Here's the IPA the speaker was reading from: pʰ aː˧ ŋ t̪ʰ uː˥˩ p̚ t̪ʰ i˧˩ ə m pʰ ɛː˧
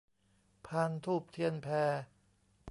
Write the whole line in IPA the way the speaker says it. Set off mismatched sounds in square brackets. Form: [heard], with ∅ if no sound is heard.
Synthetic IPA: pʰ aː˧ [n] t̪ʰ uː˥˩ p̚ t̪ʰ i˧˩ ə [n] pʰ ɛː˧